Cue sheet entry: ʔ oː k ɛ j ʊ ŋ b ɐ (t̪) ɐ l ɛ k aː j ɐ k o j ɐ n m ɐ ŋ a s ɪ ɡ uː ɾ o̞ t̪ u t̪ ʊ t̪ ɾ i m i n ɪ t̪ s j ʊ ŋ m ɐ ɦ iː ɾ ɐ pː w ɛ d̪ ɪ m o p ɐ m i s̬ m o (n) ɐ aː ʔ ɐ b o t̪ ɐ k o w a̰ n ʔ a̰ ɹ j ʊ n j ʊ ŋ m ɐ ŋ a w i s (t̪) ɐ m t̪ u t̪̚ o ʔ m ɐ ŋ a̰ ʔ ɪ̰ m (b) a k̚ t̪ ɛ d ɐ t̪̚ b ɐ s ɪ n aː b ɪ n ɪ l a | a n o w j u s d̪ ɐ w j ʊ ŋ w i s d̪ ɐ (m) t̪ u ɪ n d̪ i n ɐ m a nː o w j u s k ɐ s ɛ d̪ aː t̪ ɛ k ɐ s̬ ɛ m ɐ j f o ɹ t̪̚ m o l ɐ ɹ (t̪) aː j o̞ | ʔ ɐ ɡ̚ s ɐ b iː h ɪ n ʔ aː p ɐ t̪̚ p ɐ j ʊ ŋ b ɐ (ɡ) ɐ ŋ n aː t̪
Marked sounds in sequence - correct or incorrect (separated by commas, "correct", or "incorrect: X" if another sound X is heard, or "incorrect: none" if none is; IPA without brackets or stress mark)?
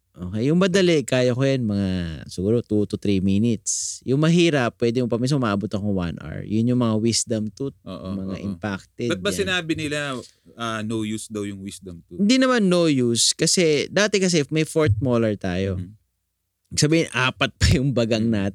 incorrect: d̪, incorrect: m, incorrect: d̪, incorrect: p, correct, correct, correct